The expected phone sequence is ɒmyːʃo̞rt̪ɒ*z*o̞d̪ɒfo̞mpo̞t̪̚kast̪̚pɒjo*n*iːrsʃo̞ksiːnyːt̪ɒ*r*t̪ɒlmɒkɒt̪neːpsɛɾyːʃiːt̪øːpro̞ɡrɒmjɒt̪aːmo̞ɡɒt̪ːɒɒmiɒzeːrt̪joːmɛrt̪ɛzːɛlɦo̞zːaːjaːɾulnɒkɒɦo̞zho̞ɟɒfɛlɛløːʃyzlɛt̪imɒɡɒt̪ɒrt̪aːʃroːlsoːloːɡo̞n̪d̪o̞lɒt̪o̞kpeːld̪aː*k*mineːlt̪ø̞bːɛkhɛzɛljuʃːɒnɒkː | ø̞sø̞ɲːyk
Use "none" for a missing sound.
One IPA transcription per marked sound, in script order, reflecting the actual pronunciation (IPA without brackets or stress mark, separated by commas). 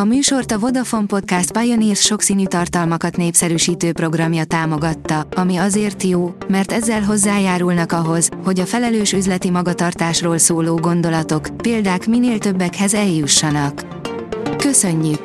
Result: v, n, r, k